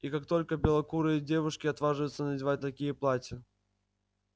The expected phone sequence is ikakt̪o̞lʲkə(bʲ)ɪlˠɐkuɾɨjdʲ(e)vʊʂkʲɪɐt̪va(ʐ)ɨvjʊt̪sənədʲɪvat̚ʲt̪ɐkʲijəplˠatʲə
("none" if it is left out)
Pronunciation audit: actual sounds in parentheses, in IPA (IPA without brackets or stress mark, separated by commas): bʲ, e, ʐ